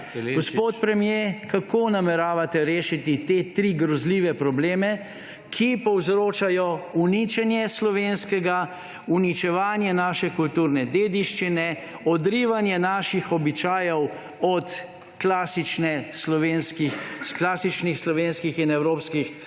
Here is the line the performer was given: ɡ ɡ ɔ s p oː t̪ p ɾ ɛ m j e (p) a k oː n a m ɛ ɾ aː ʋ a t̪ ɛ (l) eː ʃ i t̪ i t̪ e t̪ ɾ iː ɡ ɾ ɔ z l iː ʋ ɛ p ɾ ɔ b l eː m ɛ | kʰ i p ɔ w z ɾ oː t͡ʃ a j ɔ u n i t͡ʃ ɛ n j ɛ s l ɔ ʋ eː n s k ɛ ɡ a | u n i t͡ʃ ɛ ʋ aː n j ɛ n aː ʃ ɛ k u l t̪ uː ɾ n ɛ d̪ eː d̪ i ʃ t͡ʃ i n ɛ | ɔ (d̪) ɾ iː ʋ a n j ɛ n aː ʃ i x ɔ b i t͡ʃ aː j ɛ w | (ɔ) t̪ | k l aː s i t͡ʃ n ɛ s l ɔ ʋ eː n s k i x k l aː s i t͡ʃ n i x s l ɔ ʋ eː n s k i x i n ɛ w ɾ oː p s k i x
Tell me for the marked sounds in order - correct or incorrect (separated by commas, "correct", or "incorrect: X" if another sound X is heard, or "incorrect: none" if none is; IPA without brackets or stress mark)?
incorrect: k, incorrect: ɾ, correct, correct